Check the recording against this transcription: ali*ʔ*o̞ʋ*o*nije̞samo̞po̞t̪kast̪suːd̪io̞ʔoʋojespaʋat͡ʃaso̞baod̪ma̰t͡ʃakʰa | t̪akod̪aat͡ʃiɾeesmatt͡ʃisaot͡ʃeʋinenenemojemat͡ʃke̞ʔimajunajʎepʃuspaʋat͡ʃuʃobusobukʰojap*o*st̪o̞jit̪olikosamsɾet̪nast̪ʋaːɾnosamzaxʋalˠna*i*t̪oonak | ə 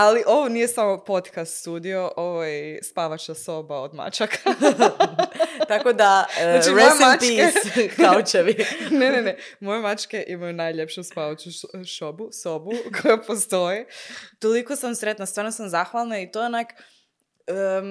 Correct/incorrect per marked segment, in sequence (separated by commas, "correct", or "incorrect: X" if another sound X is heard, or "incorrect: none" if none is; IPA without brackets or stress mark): correct, correct, correct, correct